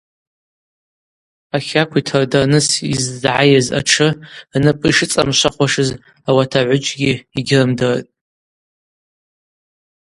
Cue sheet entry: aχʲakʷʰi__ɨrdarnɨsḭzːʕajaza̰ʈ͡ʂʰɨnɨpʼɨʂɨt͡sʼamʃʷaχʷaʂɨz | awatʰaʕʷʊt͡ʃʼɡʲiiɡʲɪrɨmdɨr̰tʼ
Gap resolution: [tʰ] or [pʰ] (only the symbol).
tʰ